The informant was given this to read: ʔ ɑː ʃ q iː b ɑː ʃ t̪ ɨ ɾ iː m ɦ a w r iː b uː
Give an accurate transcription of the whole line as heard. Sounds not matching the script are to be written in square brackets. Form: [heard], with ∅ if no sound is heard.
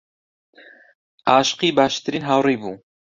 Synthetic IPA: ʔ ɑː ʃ q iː b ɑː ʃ t̪ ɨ ɾ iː [n] ɦ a w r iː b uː